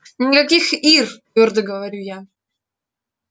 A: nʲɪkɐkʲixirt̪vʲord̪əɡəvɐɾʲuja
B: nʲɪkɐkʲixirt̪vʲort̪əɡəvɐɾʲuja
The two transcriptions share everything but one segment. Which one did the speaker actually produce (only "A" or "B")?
A